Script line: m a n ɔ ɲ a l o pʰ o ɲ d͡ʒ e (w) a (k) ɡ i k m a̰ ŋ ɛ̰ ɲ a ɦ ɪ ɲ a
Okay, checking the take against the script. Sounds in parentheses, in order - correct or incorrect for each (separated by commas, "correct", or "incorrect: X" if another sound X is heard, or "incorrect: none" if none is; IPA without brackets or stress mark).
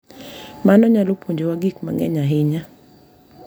correct, incorrect: none